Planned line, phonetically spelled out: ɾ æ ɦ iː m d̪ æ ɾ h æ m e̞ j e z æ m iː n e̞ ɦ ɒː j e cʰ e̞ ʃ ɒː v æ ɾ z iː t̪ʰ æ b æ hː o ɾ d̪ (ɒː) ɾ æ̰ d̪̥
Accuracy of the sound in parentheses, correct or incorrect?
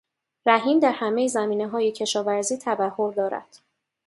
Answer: correct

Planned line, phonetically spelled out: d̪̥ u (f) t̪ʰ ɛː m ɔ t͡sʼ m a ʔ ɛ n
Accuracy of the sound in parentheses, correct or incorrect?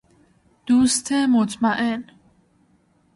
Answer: incorrect: s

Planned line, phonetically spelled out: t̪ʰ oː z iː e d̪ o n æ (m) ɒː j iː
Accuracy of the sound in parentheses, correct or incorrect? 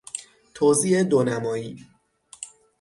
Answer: correct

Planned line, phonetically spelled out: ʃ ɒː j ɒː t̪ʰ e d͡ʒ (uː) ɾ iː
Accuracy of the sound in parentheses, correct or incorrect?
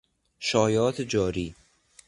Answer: incorrect: ɒː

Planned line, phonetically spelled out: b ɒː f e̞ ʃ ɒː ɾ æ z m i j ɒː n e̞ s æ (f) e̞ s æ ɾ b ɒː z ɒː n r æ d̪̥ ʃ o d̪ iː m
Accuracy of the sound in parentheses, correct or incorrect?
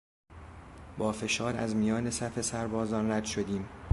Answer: correct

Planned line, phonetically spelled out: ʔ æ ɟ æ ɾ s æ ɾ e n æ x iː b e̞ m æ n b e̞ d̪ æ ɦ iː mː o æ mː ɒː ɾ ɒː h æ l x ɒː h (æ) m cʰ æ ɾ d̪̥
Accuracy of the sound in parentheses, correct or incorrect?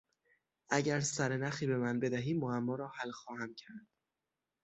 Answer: correct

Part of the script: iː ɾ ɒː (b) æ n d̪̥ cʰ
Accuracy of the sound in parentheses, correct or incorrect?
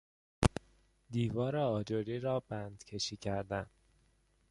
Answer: correct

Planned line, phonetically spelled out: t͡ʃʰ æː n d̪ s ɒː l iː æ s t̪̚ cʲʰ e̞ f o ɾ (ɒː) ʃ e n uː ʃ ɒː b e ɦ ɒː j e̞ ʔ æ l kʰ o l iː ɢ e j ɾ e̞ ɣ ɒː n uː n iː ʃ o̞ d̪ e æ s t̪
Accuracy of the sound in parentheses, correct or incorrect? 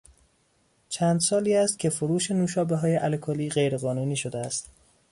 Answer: incorrect: uː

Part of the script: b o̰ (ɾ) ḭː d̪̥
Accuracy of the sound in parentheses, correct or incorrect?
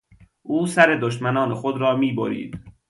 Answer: correct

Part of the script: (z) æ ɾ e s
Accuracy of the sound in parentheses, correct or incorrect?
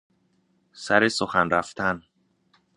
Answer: incorrect: s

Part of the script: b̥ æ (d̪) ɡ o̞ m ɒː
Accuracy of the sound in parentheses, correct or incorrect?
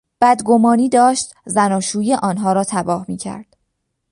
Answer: correct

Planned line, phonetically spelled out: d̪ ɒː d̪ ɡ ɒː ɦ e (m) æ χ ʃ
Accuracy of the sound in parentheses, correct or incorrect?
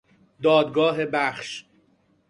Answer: incorrect: b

